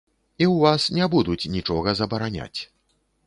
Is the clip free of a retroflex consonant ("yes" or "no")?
no